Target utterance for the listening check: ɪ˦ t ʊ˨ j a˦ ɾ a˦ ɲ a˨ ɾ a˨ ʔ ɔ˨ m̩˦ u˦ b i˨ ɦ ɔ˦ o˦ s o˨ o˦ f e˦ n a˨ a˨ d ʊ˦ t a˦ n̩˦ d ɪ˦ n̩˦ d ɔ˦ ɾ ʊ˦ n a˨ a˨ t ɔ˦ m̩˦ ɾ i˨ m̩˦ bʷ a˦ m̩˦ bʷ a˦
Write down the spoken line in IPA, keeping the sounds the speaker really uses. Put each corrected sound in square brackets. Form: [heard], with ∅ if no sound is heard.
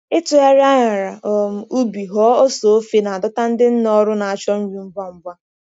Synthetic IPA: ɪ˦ t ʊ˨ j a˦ ɾ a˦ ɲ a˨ ɾ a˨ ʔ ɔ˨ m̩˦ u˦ b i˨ ɦ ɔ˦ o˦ s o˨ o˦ f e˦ n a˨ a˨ d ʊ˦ t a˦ n̩˦ d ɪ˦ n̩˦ [n] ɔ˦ ɾ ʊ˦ n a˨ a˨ [t͡ʃ] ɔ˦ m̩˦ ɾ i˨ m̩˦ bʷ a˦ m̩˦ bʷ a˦